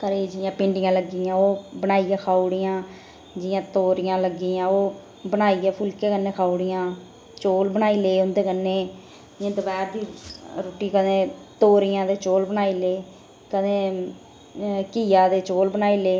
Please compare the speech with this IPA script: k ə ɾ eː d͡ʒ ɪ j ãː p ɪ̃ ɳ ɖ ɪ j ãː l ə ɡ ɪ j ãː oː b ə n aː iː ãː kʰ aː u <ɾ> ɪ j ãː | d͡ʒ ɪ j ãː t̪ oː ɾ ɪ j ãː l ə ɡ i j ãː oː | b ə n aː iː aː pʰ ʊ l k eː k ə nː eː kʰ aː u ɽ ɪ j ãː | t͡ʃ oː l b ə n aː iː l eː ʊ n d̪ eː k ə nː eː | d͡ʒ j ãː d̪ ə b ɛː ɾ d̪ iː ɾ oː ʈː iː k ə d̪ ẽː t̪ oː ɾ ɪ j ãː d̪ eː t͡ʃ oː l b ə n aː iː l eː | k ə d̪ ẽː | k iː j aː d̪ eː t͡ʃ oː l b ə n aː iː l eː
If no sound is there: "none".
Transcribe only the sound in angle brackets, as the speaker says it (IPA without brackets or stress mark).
ɽ